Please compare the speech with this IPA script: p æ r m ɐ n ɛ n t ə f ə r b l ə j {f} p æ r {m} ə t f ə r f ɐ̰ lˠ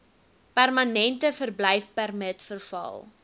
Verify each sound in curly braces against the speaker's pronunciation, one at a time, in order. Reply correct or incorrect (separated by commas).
correct, correct